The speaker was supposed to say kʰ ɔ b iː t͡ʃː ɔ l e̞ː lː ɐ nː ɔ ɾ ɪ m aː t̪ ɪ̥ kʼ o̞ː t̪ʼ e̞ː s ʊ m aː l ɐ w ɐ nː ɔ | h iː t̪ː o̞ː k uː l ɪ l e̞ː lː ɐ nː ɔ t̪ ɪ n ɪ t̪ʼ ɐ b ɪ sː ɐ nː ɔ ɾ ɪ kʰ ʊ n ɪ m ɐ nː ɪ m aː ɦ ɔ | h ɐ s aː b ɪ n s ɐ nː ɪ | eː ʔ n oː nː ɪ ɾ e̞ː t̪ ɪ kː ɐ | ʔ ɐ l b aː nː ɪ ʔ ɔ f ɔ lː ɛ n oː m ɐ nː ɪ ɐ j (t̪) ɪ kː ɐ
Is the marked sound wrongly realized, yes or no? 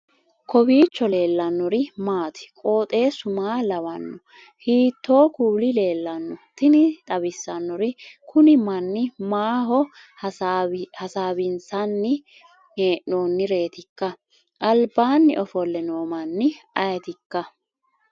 no